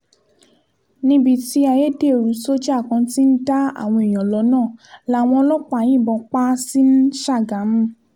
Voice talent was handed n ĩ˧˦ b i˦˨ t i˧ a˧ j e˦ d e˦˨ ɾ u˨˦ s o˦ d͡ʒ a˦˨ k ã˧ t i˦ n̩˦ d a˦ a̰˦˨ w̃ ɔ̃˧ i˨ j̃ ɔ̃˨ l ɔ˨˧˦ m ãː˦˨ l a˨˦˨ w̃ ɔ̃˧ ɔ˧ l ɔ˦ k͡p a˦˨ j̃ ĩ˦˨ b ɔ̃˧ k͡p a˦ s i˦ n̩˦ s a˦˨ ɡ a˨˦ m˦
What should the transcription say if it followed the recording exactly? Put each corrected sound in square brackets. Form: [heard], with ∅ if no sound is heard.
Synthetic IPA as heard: n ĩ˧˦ b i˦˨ t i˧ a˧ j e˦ d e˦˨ ɾ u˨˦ s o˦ d͡ʒ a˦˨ k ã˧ t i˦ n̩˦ d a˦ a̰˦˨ w̃ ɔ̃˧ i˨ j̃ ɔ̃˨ l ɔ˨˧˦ [n] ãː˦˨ l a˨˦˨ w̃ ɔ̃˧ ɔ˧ l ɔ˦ k͡p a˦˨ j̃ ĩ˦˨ b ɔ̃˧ k͡p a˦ s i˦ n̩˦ [ʃ] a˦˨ ɡ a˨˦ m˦